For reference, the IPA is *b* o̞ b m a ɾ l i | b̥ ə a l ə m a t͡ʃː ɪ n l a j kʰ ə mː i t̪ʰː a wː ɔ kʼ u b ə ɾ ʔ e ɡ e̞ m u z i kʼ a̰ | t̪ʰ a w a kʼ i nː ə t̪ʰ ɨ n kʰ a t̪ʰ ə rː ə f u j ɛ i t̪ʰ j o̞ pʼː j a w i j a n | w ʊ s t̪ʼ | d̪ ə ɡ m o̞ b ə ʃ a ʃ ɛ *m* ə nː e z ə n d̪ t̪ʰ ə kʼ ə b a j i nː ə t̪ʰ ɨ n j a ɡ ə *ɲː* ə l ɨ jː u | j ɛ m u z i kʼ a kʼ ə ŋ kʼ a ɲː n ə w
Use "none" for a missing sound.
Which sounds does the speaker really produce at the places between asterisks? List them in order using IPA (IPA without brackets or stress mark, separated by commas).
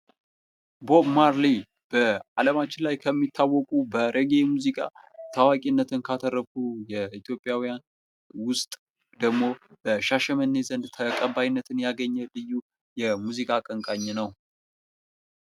b, m, ɲː